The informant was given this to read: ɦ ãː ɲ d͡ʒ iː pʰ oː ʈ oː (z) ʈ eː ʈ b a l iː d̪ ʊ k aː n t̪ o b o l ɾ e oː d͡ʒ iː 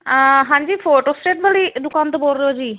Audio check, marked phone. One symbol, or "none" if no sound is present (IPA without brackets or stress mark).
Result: s